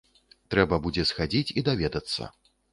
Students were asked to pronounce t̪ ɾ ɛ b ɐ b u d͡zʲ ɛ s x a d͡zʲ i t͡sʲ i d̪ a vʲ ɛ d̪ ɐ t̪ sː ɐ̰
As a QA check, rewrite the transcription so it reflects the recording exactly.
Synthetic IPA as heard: t̪ ɾ ɛ b ɐ b u d͡zʲ ɛ s x a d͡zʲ i t͡sʲ i d̪ a vʲ ɛ d̪ ɐ t̪ sː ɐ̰